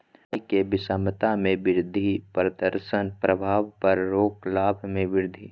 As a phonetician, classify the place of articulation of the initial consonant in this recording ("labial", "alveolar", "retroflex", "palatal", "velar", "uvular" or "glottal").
velar